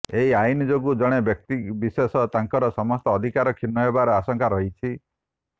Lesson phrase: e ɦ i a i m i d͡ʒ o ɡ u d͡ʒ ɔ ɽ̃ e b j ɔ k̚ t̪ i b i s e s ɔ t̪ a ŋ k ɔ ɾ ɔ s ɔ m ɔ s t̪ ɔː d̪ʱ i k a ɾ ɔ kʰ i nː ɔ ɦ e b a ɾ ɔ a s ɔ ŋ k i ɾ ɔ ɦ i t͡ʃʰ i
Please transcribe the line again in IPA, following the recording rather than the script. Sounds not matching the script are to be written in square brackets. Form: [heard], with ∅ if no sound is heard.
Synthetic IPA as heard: e ɦ i a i [n] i d͡ʒ o ɡ u d͡ʒ ɔ ɽ̃ e b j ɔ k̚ t̪ i b i s e s ɔ t̪ a ŋ k ɔ ɾ ɔ s ɔ m ɔ s t̪ ɔː d̪ʱ i k a ɾ ɔ kʰ i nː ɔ ɦ e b a ɾ ɔ a s ɔ ŋ k [a] ɾ ɔ ɦ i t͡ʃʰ i